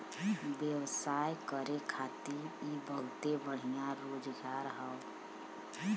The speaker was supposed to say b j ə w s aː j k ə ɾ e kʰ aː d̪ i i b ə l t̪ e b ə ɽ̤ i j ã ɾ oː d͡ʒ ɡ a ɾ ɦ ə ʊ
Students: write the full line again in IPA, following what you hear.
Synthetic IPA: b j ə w s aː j k ə ɾ e kʰ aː t̪ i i b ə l t̪ e b ə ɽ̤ i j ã ɾ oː d͡ʒ ɡ a ɾ ɦ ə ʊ